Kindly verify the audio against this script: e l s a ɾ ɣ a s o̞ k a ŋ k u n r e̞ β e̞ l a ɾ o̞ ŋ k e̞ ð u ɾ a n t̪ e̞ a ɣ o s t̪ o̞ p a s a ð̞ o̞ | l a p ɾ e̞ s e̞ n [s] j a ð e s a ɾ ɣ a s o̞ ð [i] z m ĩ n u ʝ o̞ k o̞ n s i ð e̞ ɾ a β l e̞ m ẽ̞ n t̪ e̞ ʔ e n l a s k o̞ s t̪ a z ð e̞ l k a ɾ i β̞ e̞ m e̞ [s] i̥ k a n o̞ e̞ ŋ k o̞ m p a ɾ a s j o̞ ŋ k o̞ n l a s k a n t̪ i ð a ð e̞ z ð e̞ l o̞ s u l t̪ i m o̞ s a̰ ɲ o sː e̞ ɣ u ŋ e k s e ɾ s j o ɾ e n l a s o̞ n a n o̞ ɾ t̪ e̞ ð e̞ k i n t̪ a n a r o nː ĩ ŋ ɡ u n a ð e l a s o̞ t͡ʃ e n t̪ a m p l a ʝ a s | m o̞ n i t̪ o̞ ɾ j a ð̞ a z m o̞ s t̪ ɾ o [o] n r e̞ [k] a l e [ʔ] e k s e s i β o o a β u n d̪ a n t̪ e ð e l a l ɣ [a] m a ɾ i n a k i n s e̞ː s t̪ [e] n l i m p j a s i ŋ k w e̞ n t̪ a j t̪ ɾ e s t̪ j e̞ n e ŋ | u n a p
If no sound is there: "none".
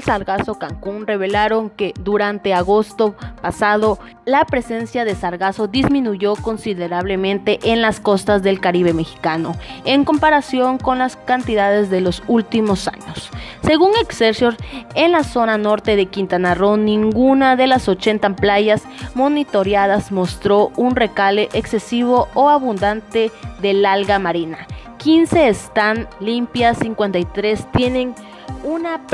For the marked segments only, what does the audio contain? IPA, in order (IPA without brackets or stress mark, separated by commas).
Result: s, i, x, u, k, ʔ, a, a